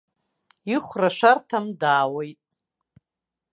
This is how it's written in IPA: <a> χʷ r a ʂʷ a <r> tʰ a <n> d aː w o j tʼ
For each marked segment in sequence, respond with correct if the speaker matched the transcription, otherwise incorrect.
incorrect, correct, incorrect

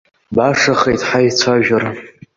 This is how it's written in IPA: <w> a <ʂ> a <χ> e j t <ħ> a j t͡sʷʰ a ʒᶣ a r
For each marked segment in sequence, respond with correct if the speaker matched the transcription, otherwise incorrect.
incorrect, correct, correct, correct

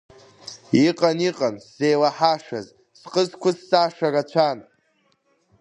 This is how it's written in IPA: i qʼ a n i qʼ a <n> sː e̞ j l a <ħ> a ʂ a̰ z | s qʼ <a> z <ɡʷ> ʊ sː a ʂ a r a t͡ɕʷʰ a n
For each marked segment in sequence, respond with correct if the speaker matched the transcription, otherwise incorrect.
correct, correct, incorrect, incorrect

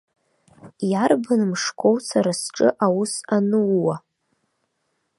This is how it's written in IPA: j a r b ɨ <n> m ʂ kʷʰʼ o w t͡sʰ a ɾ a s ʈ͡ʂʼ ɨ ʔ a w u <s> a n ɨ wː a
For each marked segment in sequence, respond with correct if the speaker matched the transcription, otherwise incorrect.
correct, correct

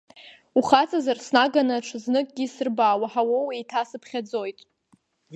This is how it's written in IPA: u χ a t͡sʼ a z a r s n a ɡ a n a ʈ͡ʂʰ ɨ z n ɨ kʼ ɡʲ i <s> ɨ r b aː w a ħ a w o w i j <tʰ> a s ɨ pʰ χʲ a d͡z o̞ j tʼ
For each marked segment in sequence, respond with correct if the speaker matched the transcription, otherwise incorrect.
correct, correct

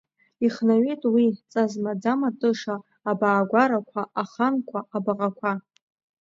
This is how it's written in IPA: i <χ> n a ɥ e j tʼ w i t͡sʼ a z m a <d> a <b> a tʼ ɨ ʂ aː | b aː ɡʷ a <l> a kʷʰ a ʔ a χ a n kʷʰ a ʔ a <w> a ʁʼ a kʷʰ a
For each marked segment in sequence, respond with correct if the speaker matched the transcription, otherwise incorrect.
correct, incorrect, incorrect, incorrect, incorrect

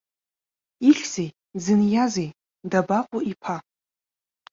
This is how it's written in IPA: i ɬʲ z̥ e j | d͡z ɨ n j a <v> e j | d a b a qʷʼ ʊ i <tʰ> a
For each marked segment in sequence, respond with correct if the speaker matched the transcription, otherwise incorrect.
incorrect, incorrect

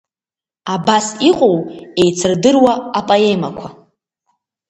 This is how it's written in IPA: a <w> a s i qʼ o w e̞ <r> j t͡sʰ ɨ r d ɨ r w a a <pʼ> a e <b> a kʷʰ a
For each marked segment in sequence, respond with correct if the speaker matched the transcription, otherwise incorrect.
incorrect, incorrect, correct, incorrect

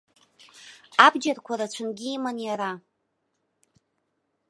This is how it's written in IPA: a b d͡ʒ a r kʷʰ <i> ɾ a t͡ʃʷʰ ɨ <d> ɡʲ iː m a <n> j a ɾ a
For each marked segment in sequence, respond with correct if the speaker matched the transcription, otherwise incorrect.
incorrect, incorrect, correct

